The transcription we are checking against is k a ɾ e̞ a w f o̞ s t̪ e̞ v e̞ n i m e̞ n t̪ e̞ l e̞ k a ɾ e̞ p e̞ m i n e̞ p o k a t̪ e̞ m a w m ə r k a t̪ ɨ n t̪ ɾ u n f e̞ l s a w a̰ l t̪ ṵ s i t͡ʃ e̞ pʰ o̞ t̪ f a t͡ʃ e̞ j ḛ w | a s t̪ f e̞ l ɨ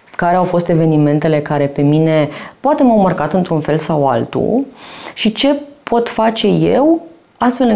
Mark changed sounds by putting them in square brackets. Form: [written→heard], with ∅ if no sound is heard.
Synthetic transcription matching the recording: k a ɾ e̞ a w f o̞ s t̪ e̞ v e̞ n i m e̞ n t̪ e̞ l e̞ k a ɾ e̞ p e̞ m i n e̞ p o [k→∅] a t̪ e̞ m a w m ə r k a t̪ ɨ n t̪ ɾ u n f e̞ l s a w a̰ l t̪ ṵ [s→ʃ] i t͡ʃ e̞ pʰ o̞ t̪ f a t͡ʃ e̞ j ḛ w | a s t̪ f e̞ l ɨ